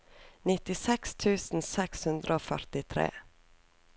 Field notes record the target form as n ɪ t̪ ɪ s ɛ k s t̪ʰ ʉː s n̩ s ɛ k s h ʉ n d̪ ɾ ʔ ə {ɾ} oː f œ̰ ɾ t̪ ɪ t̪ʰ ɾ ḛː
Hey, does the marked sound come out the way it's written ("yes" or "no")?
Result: no